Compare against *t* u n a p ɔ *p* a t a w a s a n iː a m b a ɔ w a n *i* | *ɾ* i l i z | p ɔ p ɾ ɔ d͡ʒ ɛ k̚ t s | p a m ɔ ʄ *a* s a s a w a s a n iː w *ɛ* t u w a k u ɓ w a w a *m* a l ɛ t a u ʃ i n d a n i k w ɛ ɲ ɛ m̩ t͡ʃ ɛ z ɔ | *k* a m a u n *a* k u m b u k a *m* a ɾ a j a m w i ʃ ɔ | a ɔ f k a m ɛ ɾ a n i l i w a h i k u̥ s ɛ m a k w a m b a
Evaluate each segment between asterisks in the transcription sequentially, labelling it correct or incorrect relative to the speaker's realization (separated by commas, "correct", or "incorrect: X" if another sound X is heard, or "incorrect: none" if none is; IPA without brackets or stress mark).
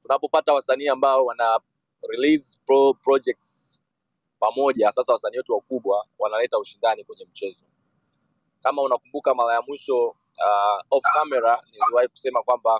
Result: correct, correct, incorrect: a, correct, correct, correct, incorrect: n, correct, correct, correct